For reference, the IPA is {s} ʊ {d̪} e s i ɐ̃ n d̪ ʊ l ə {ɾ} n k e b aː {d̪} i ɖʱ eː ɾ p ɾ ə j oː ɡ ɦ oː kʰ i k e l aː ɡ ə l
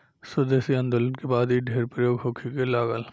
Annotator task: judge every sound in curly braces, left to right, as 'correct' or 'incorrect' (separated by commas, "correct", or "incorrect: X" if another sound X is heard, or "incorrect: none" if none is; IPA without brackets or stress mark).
correct, correct, incorrect: none, correct